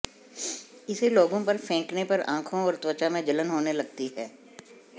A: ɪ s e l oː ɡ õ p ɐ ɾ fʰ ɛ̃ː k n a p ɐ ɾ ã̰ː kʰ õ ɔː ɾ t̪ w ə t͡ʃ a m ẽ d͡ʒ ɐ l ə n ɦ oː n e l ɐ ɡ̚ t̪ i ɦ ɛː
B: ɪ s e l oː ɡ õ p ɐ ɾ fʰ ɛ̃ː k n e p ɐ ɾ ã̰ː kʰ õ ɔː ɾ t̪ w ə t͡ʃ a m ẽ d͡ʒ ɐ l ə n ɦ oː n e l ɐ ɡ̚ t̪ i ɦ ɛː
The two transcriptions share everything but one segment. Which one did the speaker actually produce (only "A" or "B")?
B